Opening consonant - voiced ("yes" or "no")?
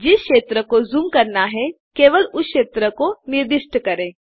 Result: yes